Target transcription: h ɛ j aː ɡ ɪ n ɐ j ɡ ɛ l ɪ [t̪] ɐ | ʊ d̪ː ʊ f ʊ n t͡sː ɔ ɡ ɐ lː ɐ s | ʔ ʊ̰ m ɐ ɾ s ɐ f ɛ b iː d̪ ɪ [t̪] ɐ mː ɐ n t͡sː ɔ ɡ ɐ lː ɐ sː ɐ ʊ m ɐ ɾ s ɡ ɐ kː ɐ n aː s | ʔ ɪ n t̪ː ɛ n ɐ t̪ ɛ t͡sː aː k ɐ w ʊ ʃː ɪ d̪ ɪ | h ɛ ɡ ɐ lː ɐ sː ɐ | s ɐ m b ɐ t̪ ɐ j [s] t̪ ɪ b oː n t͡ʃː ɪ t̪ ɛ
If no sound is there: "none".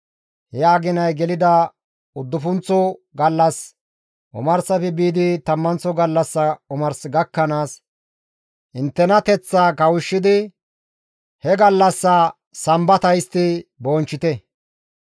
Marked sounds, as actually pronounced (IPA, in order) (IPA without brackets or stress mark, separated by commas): d̪, t̪, s